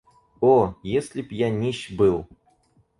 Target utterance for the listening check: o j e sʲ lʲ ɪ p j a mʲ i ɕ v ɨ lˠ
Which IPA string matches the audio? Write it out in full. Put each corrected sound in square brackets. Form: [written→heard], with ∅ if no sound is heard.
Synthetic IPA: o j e sʲ lʲ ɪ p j a [mʲ→nʲ] i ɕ [v→b] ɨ lˠ

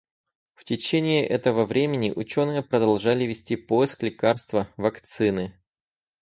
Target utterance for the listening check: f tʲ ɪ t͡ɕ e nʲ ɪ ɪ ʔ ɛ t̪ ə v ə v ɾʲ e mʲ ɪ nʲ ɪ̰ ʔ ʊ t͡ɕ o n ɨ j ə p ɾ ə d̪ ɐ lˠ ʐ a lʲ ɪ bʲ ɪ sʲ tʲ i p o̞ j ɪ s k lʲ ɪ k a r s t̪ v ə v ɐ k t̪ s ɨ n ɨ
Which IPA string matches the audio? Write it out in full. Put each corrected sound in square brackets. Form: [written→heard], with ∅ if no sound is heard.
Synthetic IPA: f tʲ ɪ t͡ɕ e nʲ ɪ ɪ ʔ ɛ t̪ ə v ə v ɾʲ e mʲ ɪ nʲ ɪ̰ ʔ ʊ t͡ɕ o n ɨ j ə p ɾ ə d̪ ɐ lˠ ʐ a lʲ ɪ [bʲ→vʲ] ɪ sʲ tʲ i p o̞ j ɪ s k lʲ ɪ k a r s t̪ v ə v ɐ k t̪ s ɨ n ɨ

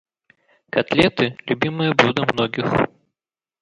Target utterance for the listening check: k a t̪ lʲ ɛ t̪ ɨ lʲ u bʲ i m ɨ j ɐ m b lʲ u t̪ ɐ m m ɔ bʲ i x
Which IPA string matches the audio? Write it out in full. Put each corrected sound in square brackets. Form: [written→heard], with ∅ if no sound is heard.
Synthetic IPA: k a t̪ lʲ ɛ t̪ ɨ lʲ u bʲ i m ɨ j ɐ [m→∅] b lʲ u [t̪→d̪] ɐ m [m→n] ɔ [bʲ→ɡʲ] i x

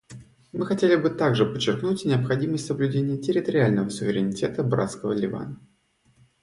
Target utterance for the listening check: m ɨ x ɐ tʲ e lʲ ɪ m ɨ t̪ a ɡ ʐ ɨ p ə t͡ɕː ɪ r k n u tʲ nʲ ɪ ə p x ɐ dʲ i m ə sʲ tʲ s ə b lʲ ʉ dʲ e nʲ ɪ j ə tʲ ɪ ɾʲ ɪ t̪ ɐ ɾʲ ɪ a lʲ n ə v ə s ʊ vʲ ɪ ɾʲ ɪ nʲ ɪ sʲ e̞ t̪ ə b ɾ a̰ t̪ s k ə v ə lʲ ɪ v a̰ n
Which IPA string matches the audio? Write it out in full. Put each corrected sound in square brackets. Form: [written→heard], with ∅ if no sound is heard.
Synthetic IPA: m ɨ x ɐ tʲ e lʲ ɪ [m→b] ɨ t̪ a ɡ ʐ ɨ p ə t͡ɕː ɪ r k n u tʲ nʲ ɪ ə p x ɐ dʲ i m ə sʲ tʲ s ə b lʲ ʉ dʲ e nʲ ɪ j ə tʲ ɪ ɾʲ ɪ t̪ [ɐ→ə] ɾʲ ɪ a lʲ n ə v ə s ʊ vʲ ɪ ɾʲ ɪ nʲ ɪ [sʲ→tʲ] e̞ t̪ ə b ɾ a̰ t̪ s k ə v ə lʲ ɪ v a̰ n

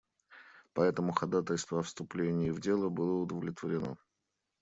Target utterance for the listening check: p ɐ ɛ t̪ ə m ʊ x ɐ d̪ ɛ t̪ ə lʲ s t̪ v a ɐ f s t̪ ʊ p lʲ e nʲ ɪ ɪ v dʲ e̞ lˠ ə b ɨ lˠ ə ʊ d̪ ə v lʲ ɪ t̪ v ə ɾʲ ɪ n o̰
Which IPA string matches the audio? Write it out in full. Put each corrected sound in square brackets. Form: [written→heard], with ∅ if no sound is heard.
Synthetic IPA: p ɐ ɛ t̪ ə m ʊ x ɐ d̪ [ɛ→a] t̪ ə lʲ s t̪ v [a→ə] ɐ f s t̪ ʊ p lʲ e nʲ ɪ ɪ v dʲ e̞ lˠ ə b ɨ lˠ ə ʊ d̪ ə v lʲ ɪ t̪ v ə ɾʲ ɪ n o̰

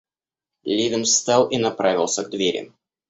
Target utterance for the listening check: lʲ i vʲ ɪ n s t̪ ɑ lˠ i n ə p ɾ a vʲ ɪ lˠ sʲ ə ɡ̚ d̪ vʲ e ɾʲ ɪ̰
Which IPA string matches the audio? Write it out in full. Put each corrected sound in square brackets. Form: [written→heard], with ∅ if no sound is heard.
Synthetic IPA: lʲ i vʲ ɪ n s t̪ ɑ lˠ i n [ə→ɐ] p ɾ a vʲ ɪ lˠ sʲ ə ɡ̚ d̪ vʲ e ɾʲ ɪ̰

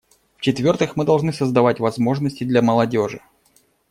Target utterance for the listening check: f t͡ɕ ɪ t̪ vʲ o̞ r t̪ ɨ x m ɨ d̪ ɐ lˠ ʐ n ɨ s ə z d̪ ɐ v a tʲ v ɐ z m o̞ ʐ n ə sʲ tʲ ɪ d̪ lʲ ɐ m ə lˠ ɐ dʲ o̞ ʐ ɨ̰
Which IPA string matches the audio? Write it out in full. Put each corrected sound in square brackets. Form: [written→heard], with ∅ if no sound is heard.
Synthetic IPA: f t͡ɕ ɪ t̪ vʲ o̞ r t̪ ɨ x m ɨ d̪ ɐ lˠ ʐ n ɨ s ə z d̪ ɐ v a tʲ v ɐ z m o̞ ʐ n ə sʲ tʲ ɪ d̪ lʲ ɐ m ə lˠ ɐ dʲ o̞ ʐ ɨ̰

